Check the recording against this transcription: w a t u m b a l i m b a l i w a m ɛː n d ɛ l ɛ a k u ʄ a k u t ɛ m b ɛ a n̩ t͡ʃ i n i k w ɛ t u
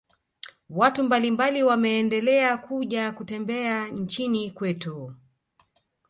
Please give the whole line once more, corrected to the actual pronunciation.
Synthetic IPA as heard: w a t u m b a l i m b a l i w a m ɛː n d ɛ l ɛ a k u ʄ a k u t ɛ m b ɛ a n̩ t͡ʃ i n i k w ɛ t u